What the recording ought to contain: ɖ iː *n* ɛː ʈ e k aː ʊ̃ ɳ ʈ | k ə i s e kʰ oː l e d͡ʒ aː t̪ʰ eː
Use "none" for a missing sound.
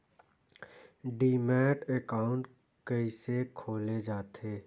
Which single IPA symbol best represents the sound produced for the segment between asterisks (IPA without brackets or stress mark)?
m